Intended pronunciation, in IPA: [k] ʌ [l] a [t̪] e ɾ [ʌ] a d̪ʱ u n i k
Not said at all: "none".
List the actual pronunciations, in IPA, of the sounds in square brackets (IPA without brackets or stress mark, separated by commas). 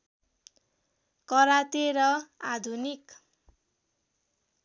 k, ɾ, t̪, ʌ